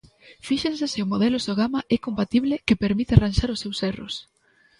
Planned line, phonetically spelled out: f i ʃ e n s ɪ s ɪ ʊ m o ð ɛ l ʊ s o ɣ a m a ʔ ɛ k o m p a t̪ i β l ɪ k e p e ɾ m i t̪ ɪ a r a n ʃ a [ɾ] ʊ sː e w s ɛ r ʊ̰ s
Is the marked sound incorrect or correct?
correct